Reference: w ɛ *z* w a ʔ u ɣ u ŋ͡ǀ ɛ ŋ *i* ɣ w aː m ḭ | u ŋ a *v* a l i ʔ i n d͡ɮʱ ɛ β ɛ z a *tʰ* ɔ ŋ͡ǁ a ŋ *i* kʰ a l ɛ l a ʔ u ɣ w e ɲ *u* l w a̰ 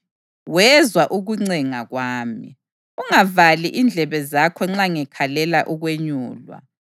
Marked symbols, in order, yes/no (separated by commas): yes, no, yes, no, no, no